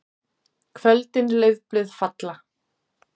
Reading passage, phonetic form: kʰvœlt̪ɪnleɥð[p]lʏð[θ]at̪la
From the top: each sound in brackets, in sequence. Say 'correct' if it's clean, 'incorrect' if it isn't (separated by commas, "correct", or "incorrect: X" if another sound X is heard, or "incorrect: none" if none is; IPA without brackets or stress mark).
correct, incorrect: f